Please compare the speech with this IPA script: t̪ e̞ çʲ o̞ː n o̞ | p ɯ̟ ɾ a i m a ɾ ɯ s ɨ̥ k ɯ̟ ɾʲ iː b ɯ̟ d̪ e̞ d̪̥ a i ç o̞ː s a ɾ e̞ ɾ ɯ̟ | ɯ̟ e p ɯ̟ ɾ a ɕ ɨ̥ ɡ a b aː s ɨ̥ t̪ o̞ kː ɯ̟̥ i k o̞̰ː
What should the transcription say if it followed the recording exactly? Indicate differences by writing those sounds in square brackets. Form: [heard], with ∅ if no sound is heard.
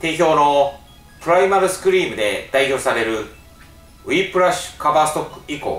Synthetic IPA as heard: t̪ e̞ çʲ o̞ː n o̞ | p ɯ̟ ɾ a i m a ɾ ɯ s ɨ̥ k ɯ̟ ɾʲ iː [m] ɯ̟ d̪ e̞ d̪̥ a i ç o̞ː s a ɾ e̞ ɾ ɯ̟ | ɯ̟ [i] p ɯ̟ ɾ a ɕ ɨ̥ [k] a b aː s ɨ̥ t̪ o̞ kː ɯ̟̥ i k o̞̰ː